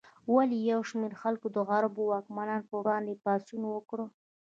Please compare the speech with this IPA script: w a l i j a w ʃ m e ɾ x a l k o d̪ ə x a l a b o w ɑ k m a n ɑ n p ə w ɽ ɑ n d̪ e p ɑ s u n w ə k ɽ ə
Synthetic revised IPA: w a l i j a w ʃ m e ɾ x a l k o d̪ ə ɣ a ɾ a b o w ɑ k m a n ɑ n p ə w ɽ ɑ n d̪ e p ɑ s u n w ə k ɽ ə